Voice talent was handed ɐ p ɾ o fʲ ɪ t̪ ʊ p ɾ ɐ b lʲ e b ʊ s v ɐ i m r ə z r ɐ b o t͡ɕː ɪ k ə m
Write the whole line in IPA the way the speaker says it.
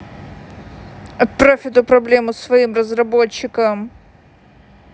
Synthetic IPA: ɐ p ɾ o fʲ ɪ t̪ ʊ p ɾ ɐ b lʲ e m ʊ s v ɐ i m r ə z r ɐ b o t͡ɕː ɪ k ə m